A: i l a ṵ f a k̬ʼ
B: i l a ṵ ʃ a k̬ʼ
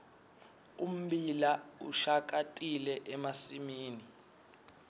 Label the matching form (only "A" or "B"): B